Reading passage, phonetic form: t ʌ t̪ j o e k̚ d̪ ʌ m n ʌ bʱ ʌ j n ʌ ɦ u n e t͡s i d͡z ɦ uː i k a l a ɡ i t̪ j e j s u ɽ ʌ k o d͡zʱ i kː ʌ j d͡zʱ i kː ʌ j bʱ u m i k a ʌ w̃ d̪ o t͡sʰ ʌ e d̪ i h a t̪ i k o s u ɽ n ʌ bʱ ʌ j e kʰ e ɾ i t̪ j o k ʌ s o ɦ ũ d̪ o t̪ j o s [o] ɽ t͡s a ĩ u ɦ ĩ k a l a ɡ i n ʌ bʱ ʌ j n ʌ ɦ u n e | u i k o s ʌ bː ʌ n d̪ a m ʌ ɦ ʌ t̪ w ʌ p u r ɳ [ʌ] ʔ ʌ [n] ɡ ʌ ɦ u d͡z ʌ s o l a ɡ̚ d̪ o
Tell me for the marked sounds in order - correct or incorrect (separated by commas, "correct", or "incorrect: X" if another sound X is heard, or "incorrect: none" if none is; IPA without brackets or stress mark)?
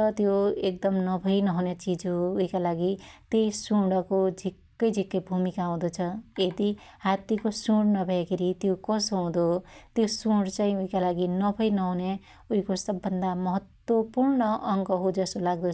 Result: incorrect: u, correct, incorrect: ŋ